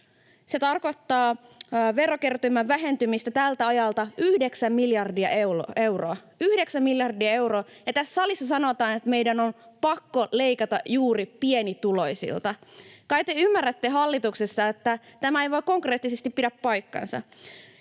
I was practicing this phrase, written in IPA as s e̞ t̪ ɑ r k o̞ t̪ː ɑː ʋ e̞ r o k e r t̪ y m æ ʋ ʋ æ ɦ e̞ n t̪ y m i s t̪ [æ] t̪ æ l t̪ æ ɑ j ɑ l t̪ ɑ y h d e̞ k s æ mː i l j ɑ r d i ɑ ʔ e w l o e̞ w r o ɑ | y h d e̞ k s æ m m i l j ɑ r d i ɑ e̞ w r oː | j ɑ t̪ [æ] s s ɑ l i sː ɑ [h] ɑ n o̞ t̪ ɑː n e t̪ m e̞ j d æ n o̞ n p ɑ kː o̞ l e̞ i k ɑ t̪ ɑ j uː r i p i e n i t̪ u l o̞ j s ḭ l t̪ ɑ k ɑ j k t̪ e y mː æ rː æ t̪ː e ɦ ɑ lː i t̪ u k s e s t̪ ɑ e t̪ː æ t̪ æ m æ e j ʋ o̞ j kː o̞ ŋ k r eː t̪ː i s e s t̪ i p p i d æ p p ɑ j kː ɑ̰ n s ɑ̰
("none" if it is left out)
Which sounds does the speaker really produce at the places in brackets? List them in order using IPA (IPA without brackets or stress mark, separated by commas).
æ, æ, s